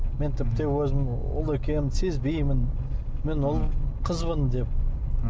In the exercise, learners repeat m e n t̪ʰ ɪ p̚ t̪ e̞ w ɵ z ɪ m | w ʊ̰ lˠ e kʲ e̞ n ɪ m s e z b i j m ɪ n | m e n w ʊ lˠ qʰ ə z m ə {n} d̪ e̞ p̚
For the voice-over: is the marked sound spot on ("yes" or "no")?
yes